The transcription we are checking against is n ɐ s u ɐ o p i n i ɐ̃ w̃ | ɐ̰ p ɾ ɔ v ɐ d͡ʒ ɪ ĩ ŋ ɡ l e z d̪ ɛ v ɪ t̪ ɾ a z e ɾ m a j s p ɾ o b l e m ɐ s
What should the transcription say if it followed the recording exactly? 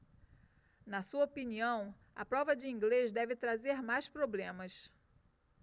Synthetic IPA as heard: n ɐ s u ɐ o p i n i ɐ̃ w̃ | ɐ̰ p ɾ ɔ v ɐ d͡ʒ ɪ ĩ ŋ ɡ l e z d̪ ɛ v ɪ t̪ ɾ a z e ɾ m a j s p ɾ o b l ẽ m ɐ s